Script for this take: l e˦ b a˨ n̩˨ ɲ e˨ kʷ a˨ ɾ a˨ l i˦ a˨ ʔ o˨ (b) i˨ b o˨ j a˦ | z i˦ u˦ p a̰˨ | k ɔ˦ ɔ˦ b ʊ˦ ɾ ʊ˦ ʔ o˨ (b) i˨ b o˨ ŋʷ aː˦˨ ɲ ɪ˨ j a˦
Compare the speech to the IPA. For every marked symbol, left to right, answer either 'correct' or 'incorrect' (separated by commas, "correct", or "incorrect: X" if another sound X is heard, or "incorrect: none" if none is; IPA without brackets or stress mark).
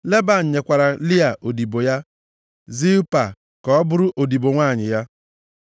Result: incorrect: d, incorrect: d